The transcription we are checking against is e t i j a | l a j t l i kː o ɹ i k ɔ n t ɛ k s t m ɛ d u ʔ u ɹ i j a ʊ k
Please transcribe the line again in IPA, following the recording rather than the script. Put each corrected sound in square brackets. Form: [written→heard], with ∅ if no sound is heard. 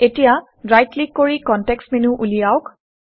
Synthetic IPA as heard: e t i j a | [l→ɹ] a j t l i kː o ɹ i k ɔ n t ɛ k s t m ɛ [d→n] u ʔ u [ɹ→l] i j a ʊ k